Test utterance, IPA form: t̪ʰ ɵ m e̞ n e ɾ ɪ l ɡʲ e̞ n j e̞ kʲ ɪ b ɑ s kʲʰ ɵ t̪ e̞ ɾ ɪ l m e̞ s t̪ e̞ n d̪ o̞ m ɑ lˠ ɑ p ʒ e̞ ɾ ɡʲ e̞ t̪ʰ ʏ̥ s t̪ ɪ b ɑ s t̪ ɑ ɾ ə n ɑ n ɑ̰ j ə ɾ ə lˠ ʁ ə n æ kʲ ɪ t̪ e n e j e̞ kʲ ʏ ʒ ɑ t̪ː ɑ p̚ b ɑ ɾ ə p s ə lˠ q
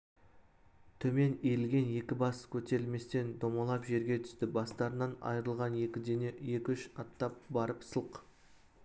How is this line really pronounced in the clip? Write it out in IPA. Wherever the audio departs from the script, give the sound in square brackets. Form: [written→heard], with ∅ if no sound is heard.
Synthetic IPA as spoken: t̪ʰ ɵ m e̞ n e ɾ ɪ l ɡʲ e̞ n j e̞ kʲ ɪ b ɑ s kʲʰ ɵ t̪ e̞ ɾ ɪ l m e̞ s t̪ e̞ n d̪ o̞ m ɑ lˠ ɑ p ʒ e̞ ɾ ɡʲ e̞ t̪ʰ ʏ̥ s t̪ ɪ b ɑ s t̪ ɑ ɾ ə n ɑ n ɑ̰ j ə ɾ ə lˠ ʁ [ə→ɑ] n [æ→e] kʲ ɪ [t̪→d̪] e n e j e̞ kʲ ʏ [ʒ→ʃ] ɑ t̪ː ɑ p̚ b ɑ ɾ ə p s ə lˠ q